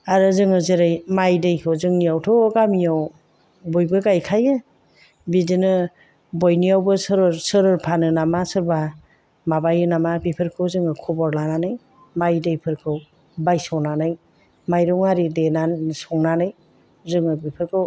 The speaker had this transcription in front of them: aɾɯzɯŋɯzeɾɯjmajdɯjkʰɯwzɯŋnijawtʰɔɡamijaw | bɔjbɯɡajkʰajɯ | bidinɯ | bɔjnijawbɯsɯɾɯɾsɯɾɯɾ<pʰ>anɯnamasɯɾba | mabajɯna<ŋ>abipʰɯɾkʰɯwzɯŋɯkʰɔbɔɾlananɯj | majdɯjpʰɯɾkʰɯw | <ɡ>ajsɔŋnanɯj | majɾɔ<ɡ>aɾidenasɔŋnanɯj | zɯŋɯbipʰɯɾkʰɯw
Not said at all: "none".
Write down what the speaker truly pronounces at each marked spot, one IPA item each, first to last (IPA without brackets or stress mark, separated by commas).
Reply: pʰ, m, b, ŋ